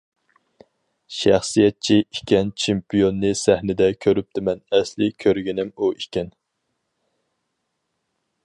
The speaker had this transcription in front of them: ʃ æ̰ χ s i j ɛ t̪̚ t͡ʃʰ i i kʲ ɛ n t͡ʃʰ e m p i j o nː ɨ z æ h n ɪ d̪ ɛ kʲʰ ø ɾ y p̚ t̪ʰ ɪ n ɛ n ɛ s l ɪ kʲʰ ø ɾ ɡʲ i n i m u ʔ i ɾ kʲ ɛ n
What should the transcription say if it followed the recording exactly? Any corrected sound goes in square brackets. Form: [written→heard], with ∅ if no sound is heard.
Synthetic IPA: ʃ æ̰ χ s i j ɛ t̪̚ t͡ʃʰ i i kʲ ɛ n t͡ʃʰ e m p i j o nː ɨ [z→s] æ h n ɪ d̪ ɛ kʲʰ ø ɾ y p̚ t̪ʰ ɪ [n→m] ɛ n ɛ s l ɪ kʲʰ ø ɾ ɡʲ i n [i→ɪ] m u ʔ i [ɾ→∅] kʲ ɛ n